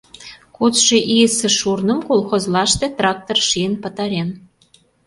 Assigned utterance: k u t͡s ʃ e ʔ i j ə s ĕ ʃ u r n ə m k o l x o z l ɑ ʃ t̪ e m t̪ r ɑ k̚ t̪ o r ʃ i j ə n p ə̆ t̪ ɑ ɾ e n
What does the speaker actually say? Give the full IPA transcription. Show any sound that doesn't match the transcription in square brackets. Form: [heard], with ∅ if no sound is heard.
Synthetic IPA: k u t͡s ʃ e ʔ i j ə s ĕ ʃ u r n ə m k o l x o z l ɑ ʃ t̪ e [∅] t̪ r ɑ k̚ t̪ o r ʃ i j ə n p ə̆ t̪ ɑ ɾ e n